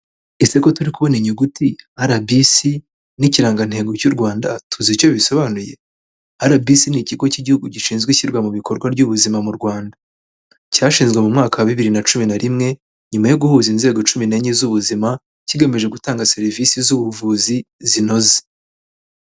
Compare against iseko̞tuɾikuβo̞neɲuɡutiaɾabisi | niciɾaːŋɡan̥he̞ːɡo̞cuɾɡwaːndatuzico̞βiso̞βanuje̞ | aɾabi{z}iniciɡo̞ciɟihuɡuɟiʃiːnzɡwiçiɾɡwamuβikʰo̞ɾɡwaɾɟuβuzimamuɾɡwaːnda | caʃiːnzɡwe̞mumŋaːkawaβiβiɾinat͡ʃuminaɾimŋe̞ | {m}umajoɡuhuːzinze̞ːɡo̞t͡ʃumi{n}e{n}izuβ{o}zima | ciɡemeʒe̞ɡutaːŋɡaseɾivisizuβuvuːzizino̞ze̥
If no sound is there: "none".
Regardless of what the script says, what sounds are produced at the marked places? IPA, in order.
s, ɲ, n, ɲ, u

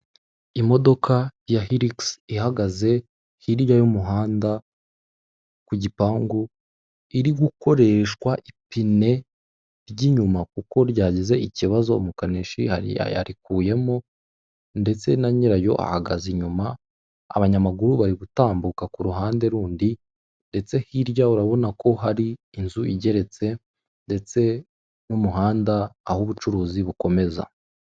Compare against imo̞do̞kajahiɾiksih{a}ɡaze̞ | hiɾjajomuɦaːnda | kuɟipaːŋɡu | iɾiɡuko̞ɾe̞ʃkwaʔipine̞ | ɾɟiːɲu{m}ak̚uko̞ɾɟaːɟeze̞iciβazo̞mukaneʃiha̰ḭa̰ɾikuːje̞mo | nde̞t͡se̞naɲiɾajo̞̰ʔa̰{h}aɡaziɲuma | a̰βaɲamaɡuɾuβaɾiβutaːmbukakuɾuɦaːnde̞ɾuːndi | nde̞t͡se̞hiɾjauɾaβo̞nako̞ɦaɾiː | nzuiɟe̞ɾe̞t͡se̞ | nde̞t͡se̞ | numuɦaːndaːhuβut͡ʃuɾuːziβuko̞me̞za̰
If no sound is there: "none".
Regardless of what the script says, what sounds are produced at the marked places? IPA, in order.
a, m, h

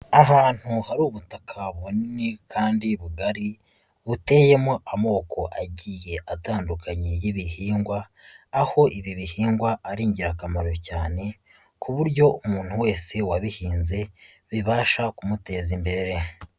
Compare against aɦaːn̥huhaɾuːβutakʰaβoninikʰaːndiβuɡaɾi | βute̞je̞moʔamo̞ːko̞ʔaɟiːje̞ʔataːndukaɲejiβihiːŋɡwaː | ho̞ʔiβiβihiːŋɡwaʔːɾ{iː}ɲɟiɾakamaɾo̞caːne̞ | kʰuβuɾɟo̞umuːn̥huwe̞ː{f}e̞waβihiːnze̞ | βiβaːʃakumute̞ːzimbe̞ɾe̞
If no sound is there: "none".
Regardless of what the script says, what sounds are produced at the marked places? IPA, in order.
iː, s

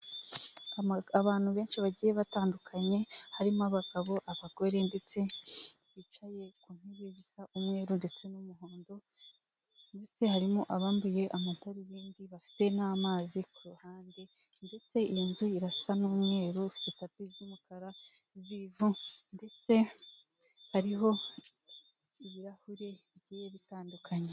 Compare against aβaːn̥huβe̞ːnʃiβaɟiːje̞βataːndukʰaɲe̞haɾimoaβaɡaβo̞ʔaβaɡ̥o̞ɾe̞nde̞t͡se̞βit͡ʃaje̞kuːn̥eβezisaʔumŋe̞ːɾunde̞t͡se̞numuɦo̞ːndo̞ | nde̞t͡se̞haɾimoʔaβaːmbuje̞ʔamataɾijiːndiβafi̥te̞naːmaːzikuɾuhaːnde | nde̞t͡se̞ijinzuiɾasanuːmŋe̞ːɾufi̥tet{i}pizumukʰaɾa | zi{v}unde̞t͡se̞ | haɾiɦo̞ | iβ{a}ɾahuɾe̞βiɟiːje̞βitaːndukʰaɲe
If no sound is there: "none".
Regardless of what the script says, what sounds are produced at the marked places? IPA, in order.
a, v, i

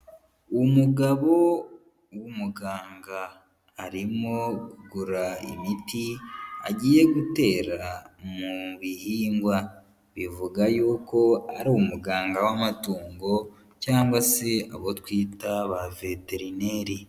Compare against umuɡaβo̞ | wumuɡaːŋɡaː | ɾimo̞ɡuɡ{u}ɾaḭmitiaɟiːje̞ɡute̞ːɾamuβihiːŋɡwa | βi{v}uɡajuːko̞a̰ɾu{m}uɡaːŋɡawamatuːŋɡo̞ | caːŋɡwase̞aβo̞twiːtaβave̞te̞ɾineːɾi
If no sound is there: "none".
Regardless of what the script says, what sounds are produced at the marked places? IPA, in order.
u, v, m

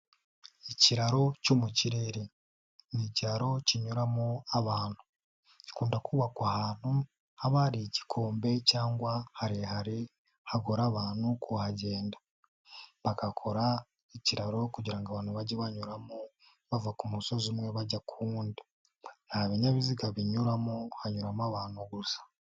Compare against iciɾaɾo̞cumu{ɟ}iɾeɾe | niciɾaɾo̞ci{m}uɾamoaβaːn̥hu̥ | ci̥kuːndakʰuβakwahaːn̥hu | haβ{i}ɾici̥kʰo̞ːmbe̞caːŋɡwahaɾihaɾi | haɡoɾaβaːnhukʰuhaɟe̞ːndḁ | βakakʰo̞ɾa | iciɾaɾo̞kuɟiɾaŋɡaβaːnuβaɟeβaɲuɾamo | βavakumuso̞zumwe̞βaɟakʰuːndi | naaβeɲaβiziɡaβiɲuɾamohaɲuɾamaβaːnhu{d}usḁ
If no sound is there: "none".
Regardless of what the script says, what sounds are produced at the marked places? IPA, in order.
c, ɲ, a, ɡ

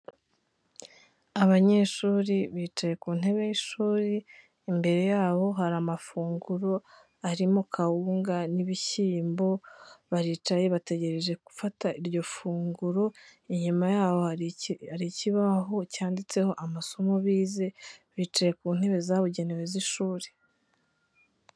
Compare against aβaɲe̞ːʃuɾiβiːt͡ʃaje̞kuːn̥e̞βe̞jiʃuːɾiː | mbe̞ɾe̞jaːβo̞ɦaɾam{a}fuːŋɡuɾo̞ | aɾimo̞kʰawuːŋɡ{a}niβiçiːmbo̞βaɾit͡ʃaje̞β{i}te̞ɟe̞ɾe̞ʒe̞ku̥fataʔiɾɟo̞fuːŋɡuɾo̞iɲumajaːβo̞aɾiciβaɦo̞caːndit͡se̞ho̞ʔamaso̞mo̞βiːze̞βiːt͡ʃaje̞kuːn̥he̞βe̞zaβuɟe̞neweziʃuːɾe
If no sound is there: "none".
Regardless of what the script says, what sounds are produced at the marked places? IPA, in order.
a, a, a

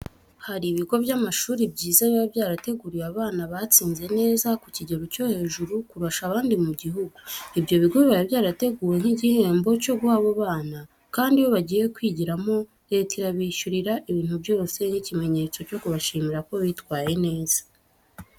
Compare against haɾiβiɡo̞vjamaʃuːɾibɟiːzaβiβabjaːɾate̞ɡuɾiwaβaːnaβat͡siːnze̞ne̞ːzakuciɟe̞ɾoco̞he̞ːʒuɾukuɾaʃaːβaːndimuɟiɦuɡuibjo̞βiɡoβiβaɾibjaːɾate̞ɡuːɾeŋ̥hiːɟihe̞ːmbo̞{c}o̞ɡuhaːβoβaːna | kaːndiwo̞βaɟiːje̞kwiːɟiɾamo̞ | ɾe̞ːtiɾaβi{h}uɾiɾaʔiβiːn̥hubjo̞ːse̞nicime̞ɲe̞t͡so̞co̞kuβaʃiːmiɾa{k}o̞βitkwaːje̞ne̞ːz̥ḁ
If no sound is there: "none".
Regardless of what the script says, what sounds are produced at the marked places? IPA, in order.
c, ʃ, k

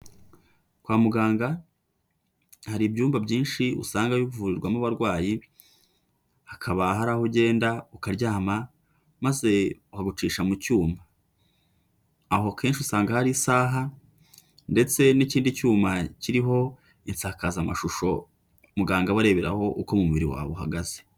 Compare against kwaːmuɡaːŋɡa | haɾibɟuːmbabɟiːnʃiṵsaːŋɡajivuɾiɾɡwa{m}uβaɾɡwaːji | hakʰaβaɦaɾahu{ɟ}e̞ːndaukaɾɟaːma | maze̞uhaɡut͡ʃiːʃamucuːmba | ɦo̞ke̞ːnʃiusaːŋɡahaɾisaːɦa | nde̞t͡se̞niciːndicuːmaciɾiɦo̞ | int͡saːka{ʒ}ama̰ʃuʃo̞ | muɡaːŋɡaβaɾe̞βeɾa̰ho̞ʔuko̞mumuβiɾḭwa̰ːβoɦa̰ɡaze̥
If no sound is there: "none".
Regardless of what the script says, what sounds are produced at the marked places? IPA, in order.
m, ɟ, z

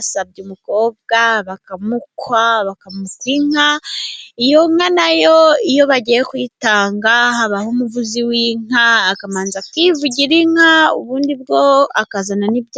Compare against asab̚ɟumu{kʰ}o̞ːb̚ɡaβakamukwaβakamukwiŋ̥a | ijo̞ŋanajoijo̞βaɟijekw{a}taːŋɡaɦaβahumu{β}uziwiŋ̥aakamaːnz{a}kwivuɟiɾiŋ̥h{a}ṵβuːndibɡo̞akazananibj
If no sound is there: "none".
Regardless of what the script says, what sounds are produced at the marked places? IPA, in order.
k, i, v, a, a

